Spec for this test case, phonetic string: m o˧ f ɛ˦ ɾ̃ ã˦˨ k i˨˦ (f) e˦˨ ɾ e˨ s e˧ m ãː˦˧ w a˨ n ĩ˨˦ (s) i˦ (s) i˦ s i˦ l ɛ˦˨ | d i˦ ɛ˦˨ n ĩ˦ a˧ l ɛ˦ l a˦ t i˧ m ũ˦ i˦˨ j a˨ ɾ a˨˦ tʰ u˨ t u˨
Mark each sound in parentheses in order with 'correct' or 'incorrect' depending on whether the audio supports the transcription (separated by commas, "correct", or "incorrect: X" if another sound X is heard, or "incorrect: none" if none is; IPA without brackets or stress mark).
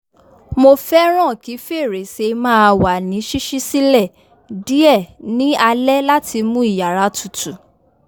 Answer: correct, incorrect: ʃ, incorrect: ʃ